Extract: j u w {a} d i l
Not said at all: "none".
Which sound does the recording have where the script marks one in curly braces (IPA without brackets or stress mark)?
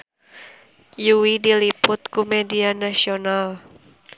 i